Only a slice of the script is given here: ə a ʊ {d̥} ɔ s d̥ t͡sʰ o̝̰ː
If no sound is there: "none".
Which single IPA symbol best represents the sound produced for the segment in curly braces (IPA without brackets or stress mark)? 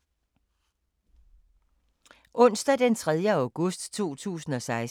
ɡ̥